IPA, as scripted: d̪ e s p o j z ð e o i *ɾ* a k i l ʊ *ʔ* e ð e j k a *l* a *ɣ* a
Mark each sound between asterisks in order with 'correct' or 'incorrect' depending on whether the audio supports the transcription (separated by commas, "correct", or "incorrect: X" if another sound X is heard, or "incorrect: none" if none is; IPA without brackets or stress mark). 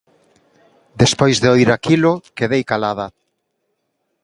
correct, incorrect: k, correct, incorrect: ð